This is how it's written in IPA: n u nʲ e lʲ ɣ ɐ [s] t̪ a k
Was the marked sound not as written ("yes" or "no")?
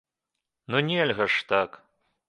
yes